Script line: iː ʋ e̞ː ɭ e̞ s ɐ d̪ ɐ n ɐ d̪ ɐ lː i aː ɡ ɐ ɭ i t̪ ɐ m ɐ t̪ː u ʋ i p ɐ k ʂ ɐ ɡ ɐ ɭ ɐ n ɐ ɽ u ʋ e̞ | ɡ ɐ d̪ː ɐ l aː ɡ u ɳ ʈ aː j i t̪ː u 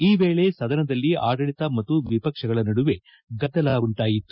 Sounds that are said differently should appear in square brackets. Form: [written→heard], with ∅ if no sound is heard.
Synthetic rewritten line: iː ʋ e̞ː ɭ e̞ s ɐ d̪ ɐ n ɐ d̪ ɐ lː i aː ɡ ɐ ɭ i t̪ ɐ m ɐ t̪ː u ʋ i p ɐ k ʂ ɐ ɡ ɐ ɭ ɐ n ɐ ɽ u ʋ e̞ | ɡ ɐ d̪ː ɐ l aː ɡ u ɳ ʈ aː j i t̪ː u

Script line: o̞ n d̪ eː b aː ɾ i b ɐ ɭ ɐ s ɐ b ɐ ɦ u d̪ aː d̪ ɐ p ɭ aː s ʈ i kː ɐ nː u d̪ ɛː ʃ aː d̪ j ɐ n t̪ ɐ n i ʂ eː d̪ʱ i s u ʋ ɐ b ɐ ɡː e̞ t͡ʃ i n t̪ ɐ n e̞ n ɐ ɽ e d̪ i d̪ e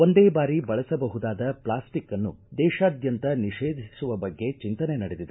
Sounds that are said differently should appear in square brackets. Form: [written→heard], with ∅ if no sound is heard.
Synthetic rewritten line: o̞ n d̪ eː b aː ɾ i b ɐ ɭ ɐ s ɐ b ɐ ɦ u d̪ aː d̪ ɐ p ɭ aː s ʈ i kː ɐ nː u d̪ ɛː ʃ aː d̪ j ɐ n t̪ ɐ n i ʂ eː d̪ʱ i s u ʋ ɐ b ɐ ɡː e̞ t͡ʃ i n t̪ ɐ n e̞ n ɐ ɽ e d̪ i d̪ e

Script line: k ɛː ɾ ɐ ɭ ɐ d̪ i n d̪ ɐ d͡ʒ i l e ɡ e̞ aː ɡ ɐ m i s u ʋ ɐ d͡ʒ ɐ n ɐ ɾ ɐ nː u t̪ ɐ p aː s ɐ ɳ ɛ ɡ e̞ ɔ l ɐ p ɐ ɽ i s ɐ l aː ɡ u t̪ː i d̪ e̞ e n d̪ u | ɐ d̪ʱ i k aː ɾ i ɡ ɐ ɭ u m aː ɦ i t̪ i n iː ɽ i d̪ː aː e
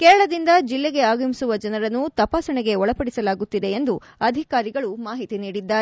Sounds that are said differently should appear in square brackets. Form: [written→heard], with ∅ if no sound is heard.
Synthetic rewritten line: k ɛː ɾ ɐ ɭ ɐ d̪ i n d̪ ɐ d͡ʒ i [l→lː] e ɡ e̞ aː ɡ ɐ m i s u ʋ ɐ d͡ʒ ɐ n ɐ ɾ ɐ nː u t̪ ɐ p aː s ɐ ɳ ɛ ɡ e̞ ɔ [l→ɭ] ɐ p ɐ ɽ i s ɐ l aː ɡ u t̪ː i d̪ e̞ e n d̪ u | ɐ d̪ʱ i k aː ɾ i ɡ ɐ ɭ u m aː ɦ i t̪ i n iː ɽ i d̪ː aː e

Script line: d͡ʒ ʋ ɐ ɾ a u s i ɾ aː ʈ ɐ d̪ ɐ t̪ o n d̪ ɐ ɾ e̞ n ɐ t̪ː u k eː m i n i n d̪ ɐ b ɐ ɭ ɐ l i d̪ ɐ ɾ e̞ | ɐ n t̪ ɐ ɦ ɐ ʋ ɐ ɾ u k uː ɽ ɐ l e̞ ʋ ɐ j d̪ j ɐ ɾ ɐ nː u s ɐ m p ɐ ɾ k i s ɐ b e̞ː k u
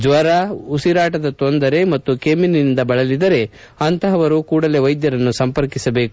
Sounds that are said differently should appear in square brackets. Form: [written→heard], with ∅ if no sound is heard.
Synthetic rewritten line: d͡ʒ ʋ ɐ ɾ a u s i ɾ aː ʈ ɐ d̪ ɐ t̪ o n d̪ ɐ ɾ e̞ [n→m] ɐ t̪ː u k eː m i n i n d̪ ɐ b ɐ ɭ ɐ l i d̪ ɐ ɾ e̞ | ɐ n t̪ ɐ ɦ ɐ ʋ ɐ ɾ u k uː ɽ ɐ l e̞ ʋ ɐ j d̪ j ɐ ɾ ɐ nː u s ɐ m p ɐ ɾ k i s ɐ b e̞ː k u

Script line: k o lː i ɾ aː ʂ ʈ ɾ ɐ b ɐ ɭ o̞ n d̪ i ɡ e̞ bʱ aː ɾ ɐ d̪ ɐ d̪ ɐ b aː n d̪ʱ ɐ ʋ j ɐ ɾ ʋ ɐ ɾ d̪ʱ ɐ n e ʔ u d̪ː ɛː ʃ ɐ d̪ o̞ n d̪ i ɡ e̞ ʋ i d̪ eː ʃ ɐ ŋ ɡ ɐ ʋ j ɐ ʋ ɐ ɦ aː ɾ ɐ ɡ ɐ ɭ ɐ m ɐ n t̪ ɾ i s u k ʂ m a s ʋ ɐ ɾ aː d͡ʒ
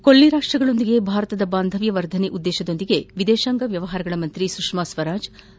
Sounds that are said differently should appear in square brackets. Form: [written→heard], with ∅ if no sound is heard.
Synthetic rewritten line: k o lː i ɾ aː ʂ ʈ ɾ ɐ [b→ɡ] ɐ ɭ o̞ n d̪ i ɡ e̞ bʱ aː ɾ ɐ [d̪→t̪] ɐ d̪ ɐ b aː n d̪ʱ ɐ ʋ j ɐ [ɾ→∅] ʋ ɐ ɾ d̪ʱ ɐ n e ʔ u d̪ː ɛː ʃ ɐ d̪ o̞ n d̪ i ɡ e̞ ʋ i d̪ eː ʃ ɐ ŋ ɡ ɐ ʋ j ɐ ʋ ɐ ɦ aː ɾ ɐ ɡ ɐ ɭ ɐ m ɐ n t̪ ɾ i s u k ʂ m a s ʋ ɐ ɾ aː d͡ʒ

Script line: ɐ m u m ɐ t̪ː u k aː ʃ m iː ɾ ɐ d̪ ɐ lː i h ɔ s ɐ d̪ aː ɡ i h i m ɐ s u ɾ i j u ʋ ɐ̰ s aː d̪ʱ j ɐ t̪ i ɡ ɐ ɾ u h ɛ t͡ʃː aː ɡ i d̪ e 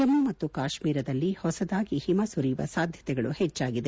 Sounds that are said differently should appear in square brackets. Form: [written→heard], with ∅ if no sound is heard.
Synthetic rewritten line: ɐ m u m ɐ t̪ː u k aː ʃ m iː ɾ ɐ d̪ ɐ lː i h ɔ s ɐ d̪ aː ɡ i h i m ɐ s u ɾ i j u ʋ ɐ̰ s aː d̪ʱ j ɐ t̪ [i→ɛ] ɡ ɐ [ɾ→ɭ] u h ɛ t͡ʃː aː ɡ i d̪ e

